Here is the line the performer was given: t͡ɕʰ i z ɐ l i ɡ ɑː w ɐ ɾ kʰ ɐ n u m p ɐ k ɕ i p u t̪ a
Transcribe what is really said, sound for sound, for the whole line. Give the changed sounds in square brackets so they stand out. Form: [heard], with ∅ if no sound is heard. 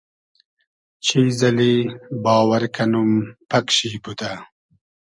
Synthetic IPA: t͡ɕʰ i z ɐ l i [b] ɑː w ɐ ɾ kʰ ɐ n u m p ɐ k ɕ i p u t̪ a